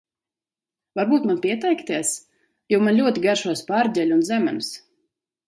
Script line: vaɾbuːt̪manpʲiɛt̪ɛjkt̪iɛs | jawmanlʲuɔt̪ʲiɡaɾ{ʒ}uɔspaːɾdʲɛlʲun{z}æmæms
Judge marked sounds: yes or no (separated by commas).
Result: no, yes